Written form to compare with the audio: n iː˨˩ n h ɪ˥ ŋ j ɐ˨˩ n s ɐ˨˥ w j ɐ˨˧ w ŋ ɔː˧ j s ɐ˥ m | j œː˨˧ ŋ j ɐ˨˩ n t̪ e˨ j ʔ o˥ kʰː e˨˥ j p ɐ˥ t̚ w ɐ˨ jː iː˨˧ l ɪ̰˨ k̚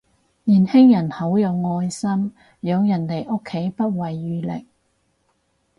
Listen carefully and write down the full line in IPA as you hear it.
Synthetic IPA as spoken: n iː˨˩ n h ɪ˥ ŋ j ɐ˨˩ n h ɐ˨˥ w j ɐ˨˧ w ŋ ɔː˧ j s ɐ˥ m | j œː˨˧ ŋ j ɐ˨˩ n t̪ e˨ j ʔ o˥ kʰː e˨˥ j p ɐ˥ t̚ w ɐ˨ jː yː˨˧ l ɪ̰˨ k̚

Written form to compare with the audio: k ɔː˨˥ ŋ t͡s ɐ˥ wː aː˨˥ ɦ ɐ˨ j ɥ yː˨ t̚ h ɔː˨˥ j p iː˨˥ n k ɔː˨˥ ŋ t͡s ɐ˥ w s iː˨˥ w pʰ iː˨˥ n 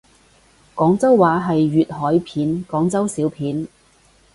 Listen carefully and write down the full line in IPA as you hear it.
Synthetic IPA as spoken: k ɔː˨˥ ŋ t͡s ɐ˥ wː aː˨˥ ɦ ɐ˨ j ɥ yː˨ t̚ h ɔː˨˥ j pʰ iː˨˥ n k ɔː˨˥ ŋ t͡s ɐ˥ w s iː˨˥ w pʰ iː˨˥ n

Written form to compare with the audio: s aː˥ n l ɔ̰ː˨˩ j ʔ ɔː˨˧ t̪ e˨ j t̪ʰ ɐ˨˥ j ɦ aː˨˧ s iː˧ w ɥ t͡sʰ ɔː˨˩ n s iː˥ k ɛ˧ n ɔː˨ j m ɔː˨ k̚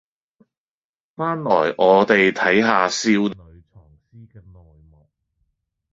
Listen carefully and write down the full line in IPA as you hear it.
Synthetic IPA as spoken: f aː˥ n l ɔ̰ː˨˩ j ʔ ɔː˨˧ t̪ e˨ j t̪ʰ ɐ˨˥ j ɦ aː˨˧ s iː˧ w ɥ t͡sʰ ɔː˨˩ ŋ s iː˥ k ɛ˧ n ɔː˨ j m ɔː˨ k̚

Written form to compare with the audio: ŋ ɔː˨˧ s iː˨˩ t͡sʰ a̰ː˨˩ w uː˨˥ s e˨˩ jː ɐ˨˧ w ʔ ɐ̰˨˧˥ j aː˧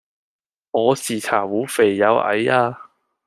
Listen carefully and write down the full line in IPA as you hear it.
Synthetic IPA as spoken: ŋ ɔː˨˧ s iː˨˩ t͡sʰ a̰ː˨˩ w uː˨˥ f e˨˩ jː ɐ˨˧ w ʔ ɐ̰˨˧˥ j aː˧

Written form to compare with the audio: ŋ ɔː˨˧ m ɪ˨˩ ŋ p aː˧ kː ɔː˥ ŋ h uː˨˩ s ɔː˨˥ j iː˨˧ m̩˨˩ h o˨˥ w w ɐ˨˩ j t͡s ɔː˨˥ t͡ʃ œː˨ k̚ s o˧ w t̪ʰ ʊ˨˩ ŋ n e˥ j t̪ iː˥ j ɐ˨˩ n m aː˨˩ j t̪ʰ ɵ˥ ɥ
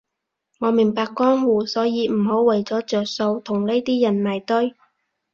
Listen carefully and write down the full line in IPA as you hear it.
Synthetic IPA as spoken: ŋ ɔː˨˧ m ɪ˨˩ ŋ p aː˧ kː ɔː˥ ŋ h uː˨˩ s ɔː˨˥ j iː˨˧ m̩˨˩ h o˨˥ w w ɐ˨˩ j t͡s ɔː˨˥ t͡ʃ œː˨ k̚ s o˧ w t̪ʰ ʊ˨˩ ŋ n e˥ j t̪ iː˥ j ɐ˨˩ n m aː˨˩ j t̪ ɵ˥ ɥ

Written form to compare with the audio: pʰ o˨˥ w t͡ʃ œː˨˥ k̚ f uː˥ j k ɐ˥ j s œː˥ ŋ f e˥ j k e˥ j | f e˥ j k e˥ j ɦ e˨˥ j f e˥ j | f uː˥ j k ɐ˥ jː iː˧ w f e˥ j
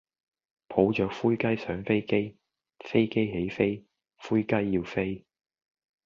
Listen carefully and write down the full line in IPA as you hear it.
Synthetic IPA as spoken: pʰ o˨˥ w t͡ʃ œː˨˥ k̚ f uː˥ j k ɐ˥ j s œː˨˥ ŋ f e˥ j k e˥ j | f e˥ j k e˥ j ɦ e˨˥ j f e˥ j | f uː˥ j k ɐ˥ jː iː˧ w f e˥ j

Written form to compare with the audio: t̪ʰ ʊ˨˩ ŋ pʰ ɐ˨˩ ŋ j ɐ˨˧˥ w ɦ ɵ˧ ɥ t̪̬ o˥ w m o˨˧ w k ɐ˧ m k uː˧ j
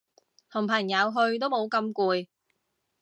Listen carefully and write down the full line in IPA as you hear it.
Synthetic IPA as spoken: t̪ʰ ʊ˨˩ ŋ pʰ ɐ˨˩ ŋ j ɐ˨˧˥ w ɦ ɵ˧ ɥ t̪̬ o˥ w m o˨˧ w k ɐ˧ m k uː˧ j

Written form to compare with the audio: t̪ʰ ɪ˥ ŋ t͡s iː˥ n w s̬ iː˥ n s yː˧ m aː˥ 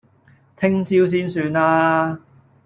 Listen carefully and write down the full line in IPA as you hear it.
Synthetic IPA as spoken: t̪ʰ ɪ˥ ŋ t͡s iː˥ w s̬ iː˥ n s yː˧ n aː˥

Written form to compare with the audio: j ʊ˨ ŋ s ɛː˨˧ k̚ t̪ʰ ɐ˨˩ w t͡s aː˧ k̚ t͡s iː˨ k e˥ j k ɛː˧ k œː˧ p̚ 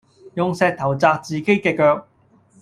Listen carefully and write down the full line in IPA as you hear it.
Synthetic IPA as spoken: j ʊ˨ ŋ s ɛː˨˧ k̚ t̪ʰ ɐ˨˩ w t͡s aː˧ k̚ t͡s iː˨ k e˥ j k ɛː˧ k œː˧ k̚

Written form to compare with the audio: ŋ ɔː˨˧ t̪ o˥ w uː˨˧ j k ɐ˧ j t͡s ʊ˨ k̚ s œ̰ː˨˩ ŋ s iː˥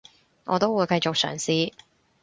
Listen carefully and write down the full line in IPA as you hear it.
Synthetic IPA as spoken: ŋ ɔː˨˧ t̪ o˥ w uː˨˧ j k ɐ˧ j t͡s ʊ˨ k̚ s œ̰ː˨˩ ŋ s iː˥

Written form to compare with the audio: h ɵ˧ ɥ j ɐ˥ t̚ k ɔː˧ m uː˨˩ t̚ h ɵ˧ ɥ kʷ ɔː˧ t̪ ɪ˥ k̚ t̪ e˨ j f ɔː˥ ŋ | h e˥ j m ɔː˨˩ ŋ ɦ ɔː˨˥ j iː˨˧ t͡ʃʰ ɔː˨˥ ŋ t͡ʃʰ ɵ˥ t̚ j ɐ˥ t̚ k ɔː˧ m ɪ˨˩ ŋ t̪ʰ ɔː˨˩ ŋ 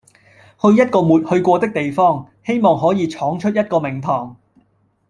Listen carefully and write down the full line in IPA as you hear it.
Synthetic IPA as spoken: h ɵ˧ ɥ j ɐ˥ t̚ k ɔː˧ m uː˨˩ t̚ h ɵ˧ ɥ kʷ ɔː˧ t̪ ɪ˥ k̚ t̪ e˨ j f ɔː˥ ŋ | h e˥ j m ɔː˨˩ ŋ ɦ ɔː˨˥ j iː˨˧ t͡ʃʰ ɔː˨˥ ŋ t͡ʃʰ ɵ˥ t̚ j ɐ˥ t̚ k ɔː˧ m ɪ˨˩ ŋ t̪ʰ ɔː˨˩ ŋ

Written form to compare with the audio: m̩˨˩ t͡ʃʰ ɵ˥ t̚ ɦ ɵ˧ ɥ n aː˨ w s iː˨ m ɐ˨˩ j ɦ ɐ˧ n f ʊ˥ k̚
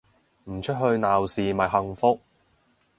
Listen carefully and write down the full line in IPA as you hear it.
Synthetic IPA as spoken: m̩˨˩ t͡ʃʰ ɵ˥ t̚ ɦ ɵ˧ ɥ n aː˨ w s iː˨ m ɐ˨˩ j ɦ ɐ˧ ŋ f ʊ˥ k̚

